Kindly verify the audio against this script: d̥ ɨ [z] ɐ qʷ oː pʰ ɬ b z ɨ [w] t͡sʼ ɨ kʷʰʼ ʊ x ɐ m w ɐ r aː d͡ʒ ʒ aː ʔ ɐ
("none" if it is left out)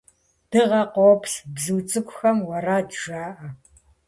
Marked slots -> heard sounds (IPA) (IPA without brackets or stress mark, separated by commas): ʁ, w